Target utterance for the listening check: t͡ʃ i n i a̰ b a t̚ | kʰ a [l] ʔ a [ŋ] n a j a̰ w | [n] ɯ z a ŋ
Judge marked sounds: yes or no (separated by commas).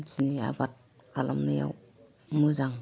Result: yes, no, no